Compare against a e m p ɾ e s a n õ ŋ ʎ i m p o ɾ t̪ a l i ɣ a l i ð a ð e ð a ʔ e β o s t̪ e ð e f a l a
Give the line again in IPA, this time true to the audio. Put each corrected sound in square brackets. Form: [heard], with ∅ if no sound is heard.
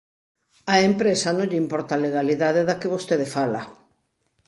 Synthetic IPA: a e m p ɾ e s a n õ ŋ ʎ i m p [ɔ] ɾ t̪ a l [e] ɣ a l i ð a ð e ð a [k] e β o s t̪ e ð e f a l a